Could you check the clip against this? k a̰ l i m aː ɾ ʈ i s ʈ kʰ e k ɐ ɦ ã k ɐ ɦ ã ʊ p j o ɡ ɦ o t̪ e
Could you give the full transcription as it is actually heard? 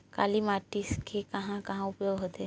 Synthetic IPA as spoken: k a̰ l i m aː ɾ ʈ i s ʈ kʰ e k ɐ ɦ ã k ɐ ɦ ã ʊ p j o ɡ ɦ o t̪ e